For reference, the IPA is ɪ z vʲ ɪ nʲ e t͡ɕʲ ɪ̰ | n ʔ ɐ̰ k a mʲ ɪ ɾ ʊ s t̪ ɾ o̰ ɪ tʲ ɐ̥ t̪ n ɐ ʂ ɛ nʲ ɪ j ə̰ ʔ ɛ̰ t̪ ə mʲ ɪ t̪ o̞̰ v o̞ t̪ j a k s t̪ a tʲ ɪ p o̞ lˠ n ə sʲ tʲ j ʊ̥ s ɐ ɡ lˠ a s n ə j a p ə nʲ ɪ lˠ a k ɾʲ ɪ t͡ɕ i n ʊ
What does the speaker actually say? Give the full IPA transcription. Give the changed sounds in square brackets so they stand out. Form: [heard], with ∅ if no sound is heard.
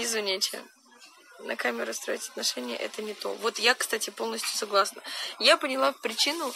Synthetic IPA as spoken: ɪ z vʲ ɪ nʲ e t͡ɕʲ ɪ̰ | n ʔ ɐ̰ k a mʲ ɪ ɾ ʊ s t̪ ɾ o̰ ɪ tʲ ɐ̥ t̪ n ɐ ʂ ɛ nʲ ɪ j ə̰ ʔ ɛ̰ t̪ ə [nʲ] ɪ t̪ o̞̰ v o̞ t̪ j a k s t̪ a tʲ ɪ p o̞ lˠ n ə sʲ tʲ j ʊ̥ s ɐ ɡ lˠ a s n ə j a p ə nʲ ɪ lˠ a [p] ɾʲ ɪ t͡ɕ i n ʊ